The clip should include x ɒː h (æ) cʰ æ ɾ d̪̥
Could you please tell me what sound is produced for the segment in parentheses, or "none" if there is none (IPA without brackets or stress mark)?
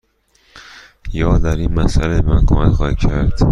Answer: i